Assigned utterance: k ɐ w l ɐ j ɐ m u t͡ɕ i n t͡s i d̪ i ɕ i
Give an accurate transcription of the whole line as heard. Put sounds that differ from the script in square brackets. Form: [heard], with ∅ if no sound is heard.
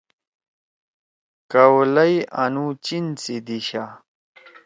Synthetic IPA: k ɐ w l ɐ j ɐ [n] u t͡ɕ i n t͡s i d̪ i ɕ [a]